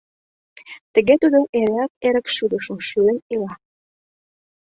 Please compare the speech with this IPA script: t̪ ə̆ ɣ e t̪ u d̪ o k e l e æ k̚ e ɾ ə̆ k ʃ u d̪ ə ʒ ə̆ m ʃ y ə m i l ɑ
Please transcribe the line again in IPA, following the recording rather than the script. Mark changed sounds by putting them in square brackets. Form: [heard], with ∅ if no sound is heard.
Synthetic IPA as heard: t̪ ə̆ ɣ e t̪ u d̪ o [ʔ] e [ɾ] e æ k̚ e ɾ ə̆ k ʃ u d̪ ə [ʃ] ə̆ m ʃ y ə [n] i l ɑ